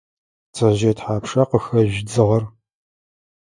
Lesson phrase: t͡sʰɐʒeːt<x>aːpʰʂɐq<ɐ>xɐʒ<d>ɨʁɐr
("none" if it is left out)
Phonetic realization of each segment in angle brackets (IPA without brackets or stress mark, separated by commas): ħ, ə, d͡z